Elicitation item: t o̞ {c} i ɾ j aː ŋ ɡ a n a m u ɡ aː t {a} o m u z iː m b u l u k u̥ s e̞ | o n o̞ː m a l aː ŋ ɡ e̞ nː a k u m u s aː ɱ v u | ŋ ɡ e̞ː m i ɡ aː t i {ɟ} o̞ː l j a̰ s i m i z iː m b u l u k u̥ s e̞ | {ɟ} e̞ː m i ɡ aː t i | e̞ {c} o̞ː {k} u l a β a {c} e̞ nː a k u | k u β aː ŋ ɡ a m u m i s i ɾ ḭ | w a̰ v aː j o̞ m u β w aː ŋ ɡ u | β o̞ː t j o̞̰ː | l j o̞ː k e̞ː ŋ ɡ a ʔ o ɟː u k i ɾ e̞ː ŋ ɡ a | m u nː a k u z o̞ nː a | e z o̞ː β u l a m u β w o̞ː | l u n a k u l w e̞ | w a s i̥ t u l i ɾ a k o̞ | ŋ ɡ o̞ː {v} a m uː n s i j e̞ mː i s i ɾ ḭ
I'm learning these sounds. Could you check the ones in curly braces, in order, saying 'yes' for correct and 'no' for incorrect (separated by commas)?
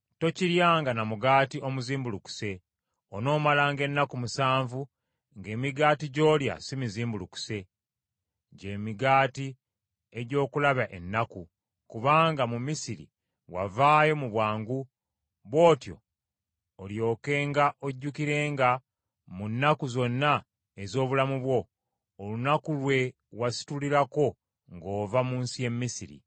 yes, no, yes, yes, no, yes, no, yes